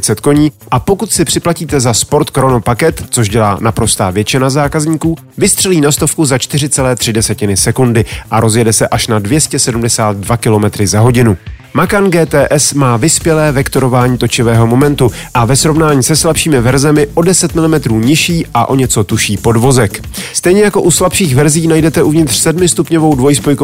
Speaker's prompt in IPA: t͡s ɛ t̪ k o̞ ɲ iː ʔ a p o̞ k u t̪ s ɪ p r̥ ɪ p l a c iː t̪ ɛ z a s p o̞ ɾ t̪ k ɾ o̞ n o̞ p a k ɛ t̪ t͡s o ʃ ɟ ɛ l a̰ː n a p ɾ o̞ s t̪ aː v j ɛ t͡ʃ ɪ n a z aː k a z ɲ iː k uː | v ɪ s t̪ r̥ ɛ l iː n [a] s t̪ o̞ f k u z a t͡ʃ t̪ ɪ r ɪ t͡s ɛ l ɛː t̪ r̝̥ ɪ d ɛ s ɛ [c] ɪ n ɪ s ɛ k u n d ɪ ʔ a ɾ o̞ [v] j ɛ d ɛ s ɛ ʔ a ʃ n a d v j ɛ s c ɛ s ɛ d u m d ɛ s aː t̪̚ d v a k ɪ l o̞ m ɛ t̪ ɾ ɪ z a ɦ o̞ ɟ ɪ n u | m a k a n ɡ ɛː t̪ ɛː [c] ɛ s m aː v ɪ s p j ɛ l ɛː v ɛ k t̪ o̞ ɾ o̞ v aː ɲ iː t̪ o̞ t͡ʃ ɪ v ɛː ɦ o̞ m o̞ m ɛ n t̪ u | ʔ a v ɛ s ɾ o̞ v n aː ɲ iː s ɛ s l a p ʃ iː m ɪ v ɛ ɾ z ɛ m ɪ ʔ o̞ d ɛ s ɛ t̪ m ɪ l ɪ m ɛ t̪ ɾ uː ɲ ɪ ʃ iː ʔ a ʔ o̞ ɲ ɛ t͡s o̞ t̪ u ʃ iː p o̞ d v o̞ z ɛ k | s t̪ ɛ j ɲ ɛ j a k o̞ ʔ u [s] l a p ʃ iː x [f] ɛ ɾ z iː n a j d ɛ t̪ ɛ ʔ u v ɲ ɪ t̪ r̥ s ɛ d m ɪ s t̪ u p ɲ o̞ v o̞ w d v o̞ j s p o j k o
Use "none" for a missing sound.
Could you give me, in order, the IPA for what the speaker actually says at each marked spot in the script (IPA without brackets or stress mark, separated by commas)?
a, c, z, ʔ, s, v